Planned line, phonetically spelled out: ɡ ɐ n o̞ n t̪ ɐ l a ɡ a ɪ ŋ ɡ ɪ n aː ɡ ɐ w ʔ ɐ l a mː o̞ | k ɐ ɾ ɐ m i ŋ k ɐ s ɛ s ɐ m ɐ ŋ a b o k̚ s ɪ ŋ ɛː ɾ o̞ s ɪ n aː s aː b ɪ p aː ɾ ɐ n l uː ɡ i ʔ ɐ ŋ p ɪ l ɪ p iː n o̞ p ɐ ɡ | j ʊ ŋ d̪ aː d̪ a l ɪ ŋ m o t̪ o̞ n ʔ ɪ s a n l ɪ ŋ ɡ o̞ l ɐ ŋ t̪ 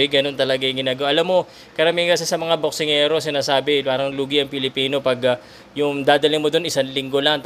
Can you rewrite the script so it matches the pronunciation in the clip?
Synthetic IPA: ɡ ɐ n o̞ n t̪ ɐ l ɐ ɡ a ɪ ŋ ɡ ɪ n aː ɡ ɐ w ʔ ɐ l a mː o̞ | k ɐ ɾ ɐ m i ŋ k ɐ s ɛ s ɐ m ɐ ŋ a b o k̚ s ɪ ŋ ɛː ɾ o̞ s ɪ n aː s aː b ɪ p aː ɾ ɐ ŋ l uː ɡ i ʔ ɐ ŋ p ɪ l ɪ p iː n o̞ p ɐ ɡ | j ʊ ŋ d̪ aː d̪ ɐ l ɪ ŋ m o d̪ o̞ n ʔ ɪ s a n l ɪ ŋ ɡ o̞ l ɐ ŋ t̪